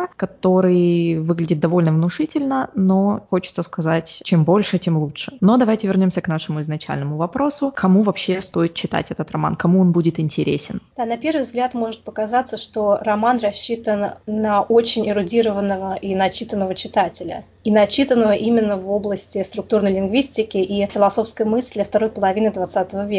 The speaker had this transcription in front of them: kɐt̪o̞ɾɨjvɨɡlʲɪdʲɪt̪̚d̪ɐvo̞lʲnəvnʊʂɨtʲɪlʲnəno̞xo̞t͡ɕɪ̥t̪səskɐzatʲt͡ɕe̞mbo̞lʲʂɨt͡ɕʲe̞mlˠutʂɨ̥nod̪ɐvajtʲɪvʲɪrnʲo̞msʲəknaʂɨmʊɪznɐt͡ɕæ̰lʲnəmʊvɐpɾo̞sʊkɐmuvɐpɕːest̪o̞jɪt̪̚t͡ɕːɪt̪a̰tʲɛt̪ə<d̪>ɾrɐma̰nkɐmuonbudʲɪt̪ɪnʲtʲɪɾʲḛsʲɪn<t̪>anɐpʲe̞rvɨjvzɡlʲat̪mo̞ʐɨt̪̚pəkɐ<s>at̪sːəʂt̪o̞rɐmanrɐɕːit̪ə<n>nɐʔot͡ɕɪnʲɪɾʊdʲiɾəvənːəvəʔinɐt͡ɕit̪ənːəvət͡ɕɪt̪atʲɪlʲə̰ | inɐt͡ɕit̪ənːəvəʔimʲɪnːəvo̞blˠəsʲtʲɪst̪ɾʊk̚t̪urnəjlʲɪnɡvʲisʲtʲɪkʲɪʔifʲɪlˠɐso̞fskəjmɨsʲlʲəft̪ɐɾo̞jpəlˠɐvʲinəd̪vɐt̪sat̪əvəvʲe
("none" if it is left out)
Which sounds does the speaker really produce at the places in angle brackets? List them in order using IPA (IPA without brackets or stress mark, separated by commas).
t̪, d̪, z, n